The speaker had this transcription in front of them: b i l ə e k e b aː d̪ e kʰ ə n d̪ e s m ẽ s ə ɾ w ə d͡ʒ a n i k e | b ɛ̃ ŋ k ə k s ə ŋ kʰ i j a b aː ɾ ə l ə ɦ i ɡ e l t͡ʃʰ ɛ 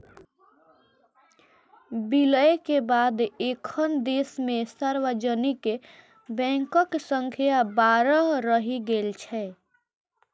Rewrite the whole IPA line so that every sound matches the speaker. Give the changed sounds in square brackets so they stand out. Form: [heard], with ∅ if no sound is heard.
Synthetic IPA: b i l ə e k e b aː d̪ e kʰ ə n d̪ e s m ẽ s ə ɾ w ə d͡ʒ [ə] n i k e | b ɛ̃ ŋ k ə k s ə ŋ kʰ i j a b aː ɾ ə [ɾ] ə ɦ i ɡ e l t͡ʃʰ ɛ